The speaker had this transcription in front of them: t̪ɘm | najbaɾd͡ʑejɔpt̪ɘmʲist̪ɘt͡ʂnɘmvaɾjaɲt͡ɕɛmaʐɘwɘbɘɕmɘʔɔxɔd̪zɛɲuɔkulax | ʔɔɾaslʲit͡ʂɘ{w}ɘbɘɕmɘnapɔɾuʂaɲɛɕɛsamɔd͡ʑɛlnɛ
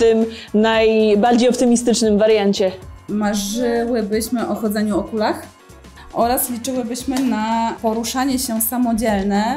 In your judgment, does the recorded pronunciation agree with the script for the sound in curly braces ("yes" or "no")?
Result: yes